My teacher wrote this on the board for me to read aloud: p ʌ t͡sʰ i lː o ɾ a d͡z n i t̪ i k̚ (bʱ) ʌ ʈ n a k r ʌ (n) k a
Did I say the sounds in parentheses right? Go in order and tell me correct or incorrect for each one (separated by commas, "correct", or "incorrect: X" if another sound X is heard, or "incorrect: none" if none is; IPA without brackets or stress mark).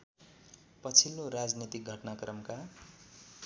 incorrect: ɡʱ, incorrect: m